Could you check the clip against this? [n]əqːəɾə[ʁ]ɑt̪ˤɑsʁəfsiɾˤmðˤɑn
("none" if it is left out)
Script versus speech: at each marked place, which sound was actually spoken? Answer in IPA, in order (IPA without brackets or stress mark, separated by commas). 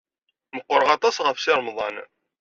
m, ʁ